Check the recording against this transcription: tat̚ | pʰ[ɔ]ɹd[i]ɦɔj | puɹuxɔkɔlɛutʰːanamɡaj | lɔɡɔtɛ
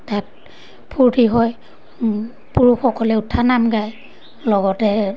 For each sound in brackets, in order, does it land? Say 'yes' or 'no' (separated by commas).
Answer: no, yes